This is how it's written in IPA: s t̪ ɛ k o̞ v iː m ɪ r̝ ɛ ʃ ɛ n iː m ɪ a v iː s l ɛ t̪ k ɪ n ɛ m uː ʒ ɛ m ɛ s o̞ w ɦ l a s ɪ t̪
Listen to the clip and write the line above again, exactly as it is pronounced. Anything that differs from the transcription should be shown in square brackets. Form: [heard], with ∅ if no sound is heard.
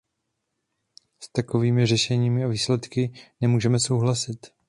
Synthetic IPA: s t̪ [a] k o̞ v iː m ɪ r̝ ɛ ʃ ɛ [ɲ] iː m ɪ a v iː s l ɛ t̪ k ɪ n ɛ m uː ʒ ɛ m ɛ s o̞ w ɦ l a s ɪ t̪